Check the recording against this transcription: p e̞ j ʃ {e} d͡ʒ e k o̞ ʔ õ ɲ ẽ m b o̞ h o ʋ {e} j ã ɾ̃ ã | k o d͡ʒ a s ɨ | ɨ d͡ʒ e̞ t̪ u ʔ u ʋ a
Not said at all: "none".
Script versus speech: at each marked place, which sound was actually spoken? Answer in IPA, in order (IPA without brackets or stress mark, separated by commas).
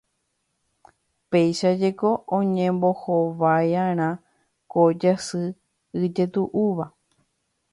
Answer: a, a